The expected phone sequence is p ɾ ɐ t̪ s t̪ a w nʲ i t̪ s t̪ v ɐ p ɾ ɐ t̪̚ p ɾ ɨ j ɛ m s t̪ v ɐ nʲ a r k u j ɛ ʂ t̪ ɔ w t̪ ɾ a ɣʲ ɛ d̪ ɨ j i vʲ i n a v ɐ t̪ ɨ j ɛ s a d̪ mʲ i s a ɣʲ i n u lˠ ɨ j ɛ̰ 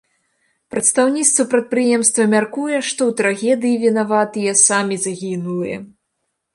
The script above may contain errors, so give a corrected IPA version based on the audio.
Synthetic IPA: p ɾ ɐ t̪ s t̪ a w nʲ i t̪ s t̪ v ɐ p ɾ ɐ t̪̚ p ɾ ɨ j ɛ m s t̪ v ɐ mʲ a r k u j ɛ ʂ t̪ ɔ w t̪ ɾ a ɣʲ ɛ d̪ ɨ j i vʲ i n a v a t̪ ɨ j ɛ s a mʲ i z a ɣʲ i n u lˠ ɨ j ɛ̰